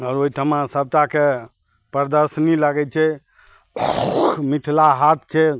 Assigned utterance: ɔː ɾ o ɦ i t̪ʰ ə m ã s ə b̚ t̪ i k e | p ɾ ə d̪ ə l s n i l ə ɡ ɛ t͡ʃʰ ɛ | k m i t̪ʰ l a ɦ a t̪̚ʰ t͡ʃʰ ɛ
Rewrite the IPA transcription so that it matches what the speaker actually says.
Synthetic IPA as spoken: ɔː ɾ o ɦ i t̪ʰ ə m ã s ə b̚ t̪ a k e | p ɾ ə d̪ ə ɾ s n i l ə ɡ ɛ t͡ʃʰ ɛ | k m i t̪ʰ l a ɦ a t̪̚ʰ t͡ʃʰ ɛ